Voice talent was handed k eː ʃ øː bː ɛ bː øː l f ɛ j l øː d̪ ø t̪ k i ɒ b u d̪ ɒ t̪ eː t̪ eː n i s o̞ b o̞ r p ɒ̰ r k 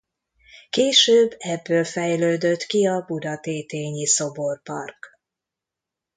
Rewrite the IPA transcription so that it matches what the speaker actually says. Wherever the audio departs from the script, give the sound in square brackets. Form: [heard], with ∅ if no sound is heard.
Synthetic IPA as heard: k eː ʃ øː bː ɛ bː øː l f ɛ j l øː d̪ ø t̪ k i ɒ b u d̪ ɒ t̪ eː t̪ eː [ɲ] i s o̞ b o̞ r p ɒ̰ r k